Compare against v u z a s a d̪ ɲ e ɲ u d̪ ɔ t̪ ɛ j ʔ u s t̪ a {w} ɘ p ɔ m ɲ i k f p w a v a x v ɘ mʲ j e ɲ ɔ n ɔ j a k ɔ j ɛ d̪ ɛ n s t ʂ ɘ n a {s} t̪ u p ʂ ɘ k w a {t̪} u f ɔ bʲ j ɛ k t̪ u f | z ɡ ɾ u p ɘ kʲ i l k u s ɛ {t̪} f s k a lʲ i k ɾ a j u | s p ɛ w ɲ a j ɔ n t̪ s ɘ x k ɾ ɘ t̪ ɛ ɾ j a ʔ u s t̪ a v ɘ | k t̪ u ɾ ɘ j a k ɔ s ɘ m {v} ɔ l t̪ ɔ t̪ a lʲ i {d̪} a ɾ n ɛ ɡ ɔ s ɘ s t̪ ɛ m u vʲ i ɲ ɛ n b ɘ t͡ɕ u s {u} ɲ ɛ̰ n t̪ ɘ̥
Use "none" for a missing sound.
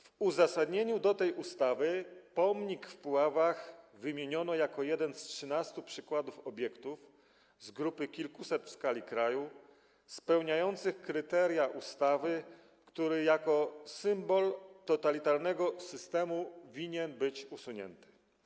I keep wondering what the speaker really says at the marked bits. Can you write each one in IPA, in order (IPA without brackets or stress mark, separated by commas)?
v, s, d̪, t̪, b, t̪, u